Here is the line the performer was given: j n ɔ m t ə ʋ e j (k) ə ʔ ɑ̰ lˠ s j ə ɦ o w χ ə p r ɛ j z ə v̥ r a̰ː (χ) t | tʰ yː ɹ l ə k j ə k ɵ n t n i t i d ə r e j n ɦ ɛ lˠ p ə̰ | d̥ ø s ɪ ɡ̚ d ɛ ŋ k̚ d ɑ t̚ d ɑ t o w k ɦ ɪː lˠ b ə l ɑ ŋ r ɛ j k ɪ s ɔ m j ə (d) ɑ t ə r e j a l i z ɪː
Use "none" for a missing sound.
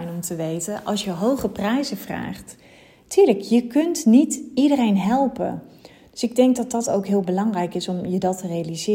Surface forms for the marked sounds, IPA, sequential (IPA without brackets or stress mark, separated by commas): t, χ, d